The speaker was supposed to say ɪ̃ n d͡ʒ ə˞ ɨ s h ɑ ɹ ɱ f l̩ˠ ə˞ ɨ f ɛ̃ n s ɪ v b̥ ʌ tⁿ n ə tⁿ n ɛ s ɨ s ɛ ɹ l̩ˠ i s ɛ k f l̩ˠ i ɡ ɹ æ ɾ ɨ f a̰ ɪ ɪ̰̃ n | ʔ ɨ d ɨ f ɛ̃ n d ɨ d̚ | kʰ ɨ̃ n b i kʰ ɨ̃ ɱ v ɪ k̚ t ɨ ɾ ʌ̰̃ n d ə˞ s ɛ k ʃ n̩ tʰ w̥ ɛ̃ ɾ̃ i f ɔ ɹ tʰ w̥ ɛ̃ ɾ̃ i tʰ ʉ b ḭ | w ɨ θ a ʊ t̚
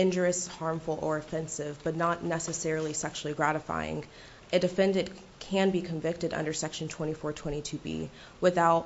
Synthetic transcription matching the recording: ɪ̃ n d͡ʒ ə˞ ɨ s h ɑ ɹ ɱ f l̩ˠ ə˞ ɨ f ɛ̃ n s ɪ v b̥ ʌ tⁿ n ə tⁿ n ɛ s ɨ s ɛ ɹ l̩ˠ i s ɛ k ʃ l̩ˠ i ɡ ɹ æ ɾ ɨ f a̰ ɪ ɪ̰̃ ŋ | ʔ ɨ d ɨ f ɛ̃ n d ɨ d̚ | kʰ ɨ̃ n b i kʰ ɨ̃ ɱ v ɪ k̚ t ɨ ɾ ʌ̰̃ n d ə˞ s ɛ k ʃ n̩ tʰ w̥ ɛ̃ ɾ̃ i f ɔ ɹ tʰ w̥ ɛ̃ ɾ̃ i tʰ ʉ b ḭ | w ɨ θ a ʊ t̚